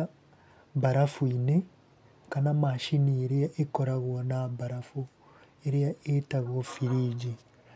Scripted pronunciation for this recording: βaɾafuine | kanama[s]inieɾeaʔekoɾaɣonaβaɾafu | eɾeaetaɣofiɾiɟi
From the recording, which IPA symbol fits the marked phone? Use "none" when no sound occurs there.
ʃ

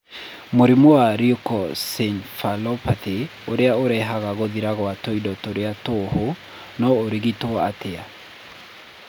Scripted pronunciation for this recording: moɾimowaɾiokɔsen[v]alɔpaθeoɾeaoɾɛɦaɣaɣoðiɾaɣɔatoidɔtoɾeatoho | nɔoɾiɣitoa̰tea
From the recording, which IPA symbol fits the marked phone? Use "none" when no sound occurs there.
f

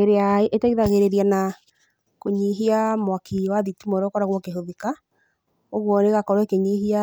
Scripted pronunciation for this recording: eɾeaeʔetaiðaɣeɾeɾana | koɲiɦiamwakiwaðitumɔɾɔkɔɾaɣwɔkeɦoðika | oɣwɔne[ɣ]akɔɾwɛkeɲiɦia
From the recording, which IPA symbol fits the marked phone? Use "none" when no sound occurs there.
ɣ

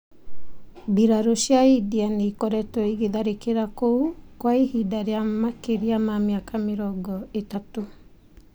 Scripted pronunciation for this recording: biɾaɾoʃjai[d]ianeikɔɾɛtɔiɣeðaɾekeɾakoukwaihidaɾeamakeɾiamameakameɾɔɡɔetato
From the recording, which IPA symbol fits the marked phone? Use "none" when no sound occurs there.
d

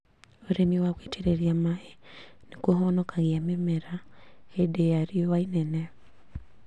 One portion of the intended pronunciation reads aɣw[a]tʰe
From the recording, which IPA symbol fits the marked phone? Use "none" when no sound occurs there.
e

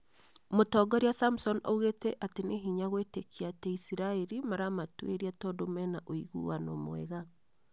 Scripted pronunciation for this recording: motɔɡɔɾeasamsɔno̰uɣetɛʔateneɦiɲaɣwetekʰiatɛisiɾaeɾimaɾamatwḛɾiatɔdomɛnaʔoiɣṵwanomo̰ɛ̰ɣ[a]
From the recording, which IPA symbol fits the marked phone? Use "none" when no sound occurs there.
a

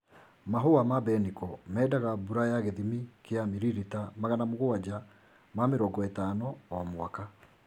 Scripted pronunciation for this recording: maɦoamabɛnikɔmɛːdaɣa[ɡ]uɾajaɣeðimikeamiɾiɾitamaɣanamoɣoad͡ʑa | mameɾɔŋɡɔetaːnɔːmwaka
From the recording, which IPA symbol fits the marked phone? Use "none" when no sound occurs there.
b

